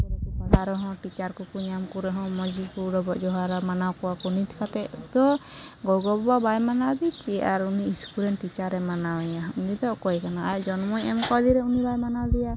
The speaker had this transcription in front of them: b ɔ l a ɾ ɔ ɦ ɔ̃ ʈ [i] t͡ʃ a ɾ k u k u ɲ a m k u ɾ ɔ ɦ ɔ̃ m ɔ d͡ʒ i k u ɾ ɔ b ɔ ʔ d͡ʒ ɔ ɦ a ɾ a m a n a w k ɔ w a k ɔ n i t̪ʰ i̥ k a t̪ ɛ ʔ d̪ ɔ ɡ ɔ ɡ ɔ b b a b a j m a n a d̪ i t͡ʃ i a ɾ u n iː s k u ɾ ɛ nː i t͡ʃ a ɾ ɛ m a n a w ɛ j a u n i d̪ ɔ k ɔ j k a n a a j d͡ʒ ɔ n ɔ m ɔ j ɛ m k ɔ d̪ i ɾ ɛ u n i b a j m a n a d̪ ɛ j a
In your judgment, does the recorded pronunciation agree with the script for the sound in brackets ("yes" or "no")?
yes